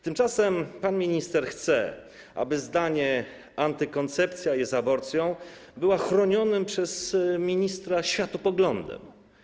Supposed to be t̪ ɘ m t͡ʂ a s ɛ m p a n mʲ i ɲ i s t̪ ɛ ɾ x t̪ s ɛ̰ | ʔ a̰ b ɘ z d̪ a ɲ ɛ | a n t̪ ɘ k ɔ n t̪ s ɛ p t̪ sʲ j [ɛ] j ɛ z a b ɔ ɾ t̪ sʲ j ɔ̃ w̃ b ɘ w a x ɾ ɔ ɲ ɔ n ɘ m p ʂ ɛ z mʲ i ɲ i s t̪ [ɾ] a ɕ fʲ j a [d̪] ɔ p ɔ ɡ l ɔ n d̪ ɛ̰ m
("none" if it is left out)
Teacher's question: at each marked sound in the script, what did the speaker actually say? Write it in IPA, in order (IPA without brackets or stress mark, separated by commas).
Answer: a, ɾ, t̪